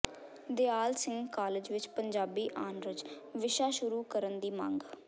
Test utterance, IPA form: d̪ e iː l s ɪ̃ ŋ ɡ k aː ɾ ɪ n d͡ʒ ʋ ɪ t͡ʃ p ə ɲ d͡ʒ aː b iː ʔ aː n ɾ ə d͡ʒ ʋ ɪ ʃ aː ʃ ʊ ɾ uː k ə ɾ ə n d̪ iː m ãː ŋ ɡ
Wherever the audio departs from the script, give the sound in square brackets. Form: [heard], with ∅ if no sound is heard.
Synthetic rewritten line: d̪ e [aː] l s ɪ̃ ŋ ɡ k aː [l] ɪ [∅] d͡ʒ ʋ ɪ t͡ʃ p ə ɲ d͡ʒ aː b iː ʔ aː n ɾ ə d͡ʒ ʋ ɪ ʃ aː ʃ ʊ ɾ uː k ə ɾ ə n d̪ iː m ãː ŋ ɡ